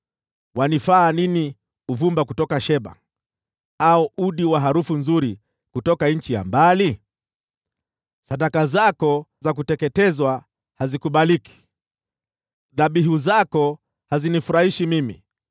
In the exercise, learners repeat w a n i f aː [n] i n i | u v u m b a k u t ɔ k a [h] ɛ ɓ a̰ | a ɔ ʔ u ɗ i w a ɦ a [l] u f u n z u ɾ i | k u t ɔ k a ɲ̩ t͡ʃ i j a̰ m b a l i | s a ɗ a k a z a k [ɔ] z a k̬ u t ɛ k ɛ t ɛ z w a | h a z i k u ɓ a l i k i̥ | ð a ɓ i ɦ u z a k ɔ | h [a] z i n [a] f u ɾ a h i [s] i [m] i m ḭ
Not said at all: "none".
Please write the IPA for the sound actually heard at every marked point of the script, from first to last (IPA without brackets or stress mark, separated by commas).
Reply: n, ʃ, ɾ, ɔ, a, i, ʃ, m